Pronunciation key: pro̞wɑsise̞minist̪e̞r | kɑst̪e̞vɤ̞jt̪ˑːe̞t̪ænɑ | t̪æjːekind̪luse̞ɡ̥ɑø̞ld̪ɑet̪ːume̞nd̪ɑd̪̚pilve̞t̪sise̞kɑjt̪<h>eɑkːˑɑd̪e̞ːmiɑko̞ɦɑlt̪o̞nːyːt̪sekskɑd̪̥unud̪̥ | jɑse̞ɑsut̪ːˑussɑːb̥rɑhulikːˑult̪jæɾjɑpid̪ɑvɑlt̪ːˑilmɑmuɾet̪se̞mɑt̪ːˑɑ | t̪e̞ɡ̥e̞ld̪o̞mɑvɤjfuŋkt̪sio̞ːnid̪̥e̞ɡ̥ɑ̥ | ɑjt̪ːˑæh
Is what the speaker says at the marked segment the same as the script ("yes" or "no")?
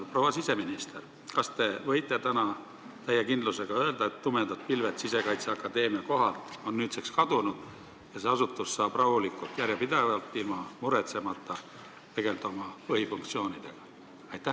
no